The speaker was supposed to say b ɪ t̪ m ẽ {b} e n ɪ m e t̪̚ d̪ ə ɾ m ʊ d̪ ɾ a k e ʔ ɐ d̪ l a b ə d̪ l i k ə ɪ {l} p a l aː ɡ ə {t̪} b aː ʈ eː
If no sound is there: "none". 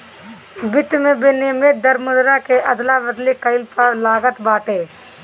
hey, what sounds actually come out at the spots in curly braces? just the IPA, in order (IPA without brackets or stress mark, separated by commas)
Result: b, l, t̪